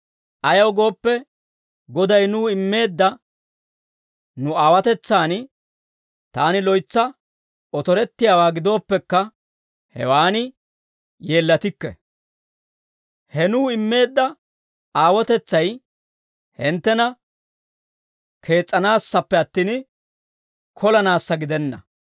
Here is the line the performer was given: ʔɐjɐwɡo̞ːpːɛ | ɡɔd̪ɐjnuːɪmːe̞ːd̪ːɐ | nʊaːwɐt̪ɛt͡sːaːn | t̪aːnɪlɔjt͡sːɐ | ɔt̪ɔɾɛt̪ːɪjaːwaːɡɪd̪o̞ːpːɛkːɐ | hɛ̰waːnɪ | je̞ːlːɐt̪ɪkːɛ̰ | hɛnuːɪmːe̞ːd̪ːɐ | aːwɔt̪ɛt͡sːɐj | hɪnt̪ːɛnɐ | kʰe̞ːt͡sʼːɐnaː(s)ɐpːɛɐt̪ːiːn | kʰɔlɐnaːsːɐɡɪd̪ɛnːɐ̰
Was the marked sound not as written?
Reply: yes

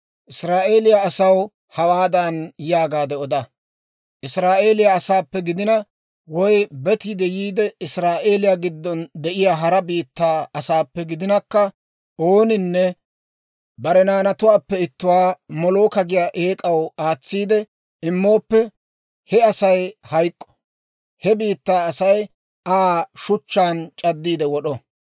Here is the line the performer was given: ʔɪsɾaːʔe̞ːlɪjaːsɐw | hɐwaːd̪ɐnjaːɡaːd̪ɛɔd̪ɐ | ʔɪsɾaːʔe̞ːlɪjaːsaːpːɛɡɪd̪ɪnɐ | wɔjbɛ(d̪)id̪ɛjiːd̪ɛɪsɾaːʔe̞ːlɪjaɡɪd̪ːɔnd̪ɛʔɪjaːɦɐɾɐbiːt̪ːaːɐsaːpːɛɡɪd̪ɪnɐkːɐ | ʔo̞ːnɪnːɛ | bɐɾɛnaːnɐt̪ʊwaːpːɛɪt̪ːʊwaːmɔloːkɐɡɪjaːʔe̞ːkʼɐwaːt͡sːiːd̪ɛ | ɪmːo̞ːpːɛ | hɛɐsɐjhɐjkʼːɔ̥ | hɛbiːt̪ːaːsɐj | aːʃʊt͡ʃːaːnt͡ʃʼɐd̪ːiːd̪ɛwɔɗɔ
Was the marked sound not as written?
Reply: yes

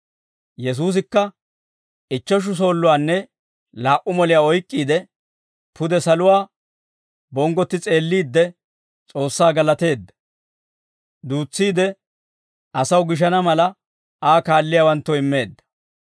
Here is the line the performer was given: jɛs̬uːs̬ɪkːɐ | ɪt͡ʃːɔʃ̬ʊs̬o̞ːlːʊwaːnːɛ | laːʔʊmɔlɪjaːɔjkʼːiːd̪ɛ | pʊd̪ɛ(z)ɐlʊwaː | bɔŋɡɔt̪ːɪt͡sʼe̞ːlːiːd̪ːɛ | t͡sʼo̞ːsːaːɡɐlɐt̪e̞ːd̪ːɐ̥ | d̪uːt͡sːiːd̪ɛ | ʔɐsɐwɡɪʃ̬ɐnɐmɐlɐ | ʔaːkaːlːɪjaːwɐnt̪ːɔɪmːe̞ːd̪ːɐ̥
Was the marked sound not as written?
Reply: yes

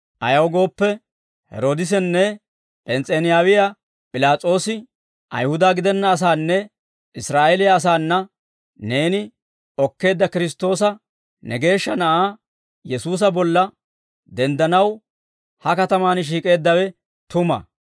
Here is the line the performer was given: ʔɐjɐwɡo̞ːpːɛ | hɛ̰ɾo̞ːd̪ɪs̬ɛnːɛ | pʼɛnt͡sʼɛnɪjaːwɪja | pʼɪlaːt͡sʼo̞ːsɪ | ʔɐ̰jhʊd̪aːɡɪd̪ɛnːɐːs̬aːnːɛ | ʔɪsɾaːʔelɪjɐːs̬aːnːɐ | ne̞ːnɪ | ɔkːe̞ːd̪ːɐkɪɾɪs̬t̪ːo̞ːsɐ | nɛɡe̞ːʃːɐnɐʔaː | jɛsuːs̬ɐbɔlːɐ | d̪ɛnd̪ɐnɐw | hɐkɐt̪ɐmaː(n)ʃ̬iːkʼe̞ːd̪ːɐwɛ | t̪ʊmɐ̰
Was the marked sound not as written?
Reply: no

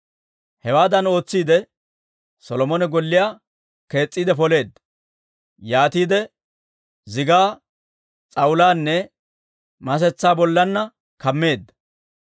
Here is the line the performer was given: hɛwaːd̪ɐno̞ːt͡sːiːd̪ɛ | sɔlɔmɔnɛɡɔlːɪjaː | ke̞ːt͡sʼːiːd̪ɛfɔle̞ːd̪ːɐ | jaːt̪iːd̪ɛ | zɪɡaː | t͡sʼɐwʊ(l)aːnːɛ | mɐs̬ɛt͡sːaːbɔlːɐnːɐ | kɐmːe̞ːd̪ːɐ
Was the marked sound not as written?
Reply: no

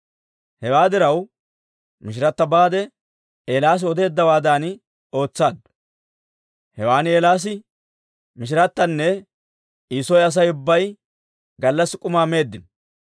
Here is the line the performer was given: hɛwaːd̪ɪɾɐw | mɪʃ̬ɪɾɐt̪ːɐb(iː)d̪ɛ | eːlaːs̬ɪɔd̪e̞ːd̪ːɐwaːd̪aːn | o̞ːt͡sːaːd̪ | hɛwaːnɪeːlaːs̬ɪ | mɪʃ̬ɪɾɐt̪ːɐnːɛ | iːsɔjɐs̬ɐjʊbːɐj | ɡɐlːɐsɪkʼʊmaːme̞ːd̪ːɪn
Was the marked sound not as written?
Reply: yes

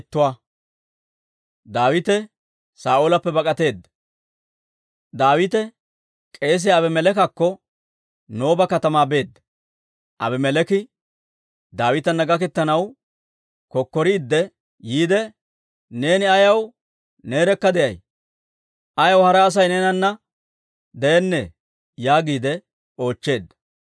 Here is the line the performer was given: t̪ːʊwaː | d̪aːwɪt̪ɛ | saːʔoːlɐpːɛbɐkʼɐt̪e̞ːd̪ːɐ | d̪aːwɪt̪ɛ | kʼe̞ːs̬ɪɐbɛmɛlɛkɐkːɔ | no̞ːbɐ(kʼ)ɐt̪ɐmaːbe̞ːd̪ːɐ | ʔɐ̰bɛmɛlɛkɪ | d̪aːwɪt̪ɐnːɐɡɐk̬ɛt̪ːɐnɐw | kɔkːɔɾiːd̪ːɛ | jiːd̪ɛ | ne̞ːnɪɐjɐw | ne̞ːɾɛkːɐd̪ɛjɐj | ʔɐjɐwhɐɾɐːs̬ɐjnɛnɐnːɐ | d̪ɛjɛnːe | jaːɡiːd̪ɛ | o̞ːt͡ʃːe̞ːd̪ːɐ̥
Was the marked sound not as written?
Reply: yes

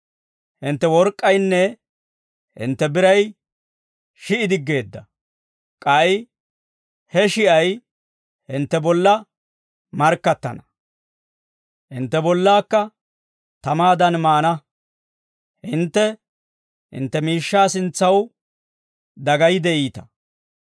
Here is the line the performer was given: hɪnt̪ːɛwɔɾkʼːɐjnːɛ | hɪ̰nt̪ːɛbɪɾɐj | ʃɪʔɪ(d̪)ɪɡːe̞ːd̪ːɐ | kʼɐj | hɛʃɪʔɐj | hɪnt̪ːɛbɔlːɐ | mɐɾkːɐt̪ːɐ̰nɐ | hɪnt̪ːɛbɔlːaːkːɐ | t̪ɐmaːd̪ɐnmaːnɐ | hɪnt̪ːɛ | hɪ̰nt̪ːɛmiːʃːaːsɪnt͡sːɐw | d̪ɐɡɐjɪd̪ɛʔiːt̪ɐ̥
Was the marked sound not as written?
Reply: no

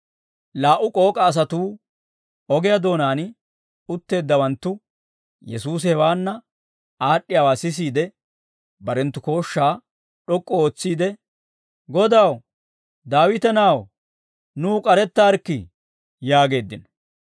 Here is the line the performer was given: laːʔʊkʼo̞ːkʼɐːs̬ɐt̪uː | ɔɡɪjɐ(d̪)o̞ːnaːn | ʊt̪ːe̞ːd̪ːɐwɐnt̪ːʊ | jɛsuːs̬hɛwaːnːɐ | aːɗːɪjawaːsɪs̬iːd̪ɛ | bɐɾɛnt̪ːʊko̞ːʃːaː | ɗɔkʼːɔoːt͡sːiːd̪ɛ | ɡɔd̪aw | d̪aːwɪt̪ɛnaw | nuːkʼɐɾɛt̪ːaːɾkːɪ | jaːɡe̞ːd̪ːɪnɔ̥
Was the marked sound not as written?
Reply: no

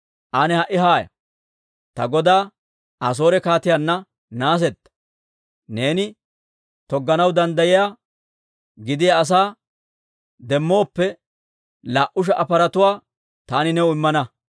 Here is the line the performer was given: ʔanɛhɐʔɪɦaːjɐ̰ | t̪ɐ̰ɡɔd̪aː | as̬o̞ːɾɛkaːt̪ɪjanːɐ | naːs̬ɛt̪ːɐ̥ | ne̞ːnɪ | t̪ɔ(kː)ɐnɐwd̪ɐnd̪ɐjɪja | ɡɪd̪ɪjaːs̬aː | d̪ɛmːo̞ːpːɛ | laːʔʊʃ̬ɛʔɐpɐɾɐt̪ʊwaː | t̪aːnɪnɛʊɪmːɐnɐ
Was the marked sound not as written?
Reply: yes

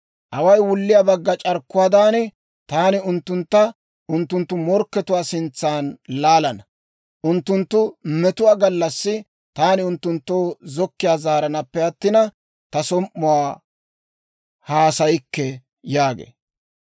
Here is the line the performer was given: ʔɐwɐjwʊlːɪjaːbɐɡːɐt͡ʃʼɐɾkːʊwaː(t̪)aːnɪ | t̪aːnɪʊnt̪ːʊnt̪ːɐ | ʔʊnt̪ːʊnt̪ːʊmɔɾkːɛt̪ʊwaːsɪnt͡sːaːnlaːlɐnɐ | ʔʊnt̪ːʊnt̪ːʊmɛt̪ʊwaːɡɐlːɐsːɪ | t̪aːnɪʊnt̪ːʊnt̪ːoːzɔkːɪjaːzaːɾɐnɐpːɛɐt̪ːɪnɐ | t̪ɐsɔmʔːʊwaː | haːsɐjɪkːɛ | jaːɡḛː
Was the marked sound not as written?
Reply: yes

